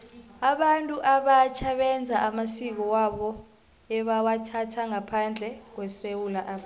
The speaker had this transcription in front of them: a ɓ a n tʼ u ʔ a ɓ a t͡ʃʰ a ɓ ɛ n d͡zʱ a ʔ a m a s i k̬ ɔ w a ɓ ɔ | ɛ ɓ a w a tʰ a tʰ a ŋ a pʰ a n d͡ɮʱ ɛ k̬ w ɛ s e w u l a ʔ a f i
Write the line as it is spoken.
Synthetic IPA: a ɓ a n tʼ u ʔ a ɓ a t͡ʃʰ a ɓ ɛ n d͡zʱ a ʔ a m a s i k̬ ɔ w a ɓ ɔ | ɛ ɓ a w a tʰ a tʰ a ŋ a pʰ a n d͡ɮʱ ɛ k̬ w ɛ s e w u l a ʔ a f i